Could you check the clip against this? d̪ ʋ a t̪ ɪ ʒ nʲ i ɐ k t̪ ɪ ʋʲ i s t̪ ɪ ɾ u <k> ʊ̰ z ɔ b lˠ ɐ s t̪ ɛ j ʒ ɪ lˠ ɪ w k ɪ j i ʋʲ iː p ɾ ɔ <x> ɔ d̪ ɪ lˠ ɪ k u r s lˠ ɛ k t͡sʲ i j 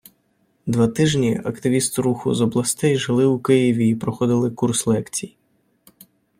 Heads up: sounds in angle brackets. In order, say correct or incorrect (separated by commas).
incorrect, correct